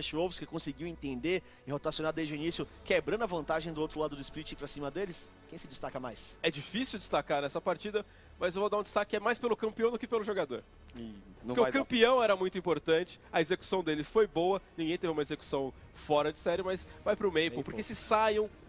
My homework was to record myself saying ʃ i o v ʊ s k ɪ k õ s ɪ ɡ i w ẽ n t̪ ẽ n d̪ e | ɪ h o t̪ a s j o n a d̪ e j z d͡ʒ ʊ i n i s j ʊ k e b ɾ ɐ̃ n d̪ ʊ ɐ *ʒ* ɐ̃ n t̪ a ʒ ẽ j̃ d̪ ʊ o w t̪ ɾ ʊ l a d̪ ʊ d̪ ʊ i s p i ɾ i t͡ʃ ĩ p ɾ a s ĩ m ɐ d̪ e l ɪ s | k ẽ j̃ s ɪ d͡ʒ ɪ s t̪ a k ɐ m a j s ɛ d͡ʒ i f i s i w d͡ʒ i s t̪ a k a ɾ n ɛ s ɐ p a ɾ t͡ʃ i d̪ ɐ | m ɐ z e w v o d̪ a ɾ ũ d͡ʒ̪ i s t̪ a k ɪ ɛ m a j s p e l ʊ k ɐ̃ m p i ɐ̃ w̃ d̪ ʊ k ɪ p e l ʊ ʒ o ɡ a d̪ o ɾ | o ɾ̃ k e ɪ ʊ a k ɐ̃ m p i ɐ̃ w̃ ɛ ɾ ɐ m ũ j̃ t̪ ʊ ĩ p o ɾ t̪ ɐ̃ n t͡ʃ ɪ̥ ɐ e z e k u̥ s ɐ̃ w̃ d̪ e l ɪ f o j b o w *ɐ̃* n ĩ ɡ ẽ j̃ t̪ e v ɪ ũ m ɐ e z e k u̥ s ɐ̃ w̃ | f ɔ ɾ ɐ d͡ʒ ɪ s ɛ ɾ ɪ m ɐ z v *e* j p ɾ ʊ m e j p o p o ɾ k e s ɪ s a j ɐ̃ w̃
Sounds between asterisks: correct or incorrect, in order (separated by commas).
incorrect, incorrect, incorrect